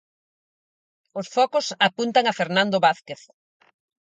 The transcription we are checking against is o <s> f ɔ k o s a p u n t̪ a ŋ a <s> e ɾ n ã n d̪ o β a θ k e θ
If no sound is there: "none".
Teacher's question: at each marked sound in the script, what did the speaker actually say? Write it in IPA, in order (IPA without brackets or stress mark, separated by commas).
s, f